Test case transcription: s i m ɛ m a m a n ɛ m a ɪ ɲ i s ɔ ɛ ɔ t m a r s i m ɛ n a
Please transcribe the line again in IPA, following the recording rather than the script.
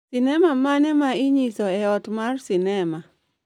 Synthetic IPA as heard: s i n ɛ m a m a n ɛ m a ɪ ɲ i s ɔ ɛ ɔ t m a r s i n ɛ m a